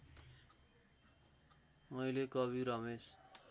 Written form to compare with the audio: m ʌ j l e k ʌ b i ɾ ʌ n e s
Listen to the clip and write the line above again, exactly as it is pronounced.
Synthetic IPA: m ʌ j l e k ʌ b i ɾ ʌ m e s